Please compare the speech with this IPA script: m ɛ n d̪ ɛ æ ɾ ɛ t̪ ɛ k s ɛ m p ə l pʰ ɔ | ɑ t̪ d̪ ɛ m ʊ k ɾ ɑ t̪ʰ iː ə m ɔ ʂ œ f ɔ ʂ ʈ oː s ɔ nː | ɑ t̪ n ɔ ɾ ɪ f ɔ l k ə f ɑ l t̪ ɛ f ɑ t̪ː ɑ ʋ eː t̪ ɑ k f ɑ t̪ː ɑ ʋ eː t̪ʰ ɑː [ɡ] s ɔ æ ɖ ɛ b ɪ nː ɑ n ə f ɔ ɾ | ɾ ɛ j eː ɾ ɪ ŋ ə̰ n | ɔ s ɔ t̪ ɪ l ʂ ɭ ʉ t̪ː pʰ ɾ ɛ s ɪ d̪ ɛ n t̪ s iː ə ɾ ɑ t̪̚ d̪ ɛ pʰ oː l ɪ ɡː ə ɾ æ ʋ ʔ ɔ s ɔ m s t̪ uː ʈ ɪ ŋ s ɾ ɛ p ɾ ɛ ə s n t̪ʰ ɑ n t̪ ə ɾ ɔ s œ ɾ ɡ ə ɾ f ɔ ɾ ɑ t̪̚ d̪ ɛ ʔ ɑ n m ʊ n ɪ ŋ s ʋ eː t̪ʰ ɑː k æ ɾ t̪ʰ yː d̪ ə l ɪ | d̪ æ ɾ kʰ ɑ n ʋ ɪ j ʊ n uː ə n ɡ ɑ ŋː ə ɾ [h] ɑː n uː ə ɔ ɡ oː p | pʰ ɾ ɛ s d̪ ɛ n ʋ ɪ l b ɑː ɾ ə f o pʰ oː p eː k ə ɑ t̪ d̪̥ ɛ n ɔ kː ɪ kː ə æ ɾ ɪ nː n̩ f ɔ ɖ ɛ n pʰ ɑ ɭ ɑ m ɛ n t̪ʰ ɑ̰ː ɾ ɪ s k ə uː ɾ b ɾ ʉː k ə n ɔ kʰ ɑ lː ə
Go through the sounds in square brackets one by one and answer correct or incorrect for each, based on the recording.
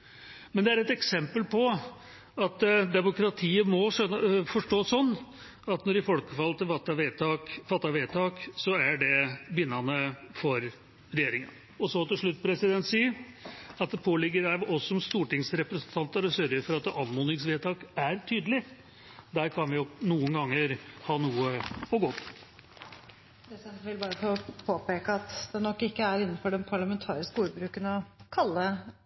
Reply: incorrect: k, correct

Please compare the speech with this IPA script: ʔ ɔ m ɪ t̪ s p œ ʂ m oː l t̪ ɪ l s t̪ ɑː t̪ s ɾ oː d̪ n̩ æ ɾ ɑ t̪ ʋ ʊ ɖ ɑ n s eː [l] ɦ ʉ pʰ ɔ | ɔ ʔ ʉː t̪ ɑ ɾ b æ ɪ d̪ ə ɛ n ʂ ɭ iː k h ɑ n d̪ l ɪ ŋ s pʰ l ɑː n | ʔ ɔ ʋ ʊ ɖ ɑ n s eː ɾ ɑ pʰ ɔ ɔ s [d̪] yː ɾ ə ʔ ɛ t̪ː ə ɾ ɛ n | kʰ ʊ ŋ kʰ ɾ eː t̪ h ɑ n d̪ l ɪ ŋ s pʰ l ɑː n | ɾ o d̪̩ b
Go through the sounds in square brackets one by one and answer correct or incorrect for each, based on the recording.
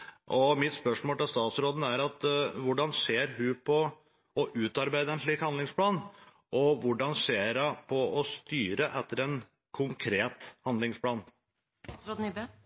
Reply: incorrect: ɾ, incorrect: t̪

